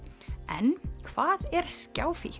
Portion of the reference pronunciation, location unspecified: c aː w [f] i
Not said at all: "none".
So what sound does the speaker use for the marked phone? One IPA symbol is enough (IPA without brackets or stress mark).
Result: f